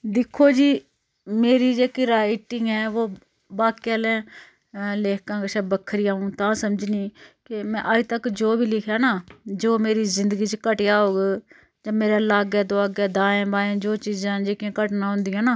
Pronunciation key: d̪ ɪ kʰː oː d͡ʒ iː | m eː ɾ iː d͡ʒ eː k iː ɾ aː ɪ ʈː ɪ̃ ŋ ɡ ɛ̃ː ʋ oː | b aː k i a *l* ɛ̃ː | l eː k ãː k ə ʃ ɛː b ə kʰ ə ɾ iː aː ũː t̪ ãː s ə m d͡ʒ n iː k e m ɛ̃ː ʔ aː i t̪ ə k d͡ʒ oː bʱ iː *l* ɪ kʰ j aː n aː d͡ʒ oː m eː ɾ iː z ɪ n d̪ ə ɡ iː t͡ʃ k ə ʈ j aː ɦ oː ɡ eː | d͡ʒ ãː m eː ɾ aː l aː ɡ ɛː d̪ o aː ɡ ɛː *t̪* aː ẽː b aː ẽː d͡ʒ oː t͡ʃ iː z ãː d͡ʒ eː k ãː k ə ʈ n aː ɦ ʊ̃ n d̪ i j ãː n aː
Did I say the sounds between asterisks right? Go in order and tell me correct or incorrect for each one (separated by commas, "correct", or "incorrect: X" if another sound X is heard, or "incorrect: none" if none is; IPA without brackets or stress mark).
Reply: correct, correct, incorrect: d̪